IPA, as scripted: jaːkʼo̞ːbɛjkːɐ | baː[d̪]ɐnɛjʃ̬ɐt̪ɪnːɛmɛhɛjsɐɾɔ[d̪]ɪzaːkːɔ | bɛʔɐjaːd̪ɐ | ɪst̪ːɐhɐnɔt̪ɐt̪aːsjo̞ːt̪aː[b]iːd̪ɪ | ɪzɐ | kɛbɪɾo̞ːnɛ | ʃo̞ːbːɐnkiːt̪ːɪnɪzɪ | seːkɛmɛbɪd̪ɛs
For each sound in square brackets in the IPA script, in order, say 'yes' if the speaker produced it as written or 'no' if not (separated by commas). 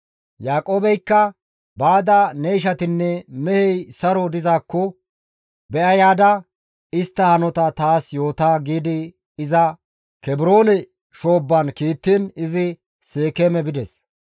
yes, yes, no